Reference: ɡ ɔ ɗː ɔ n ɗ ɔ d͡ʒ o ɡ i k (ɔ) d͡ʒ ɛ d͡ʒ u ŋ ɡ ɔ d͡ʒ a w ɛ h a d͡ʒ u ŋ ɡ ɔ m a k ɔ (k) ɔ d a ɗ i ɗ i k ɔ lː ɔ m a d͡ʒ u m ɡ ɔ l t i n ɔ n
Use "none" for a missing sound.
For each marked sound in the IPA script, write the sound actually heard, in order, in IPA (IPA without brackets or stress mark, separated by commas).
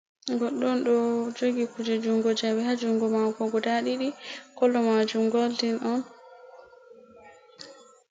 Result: u, ɡ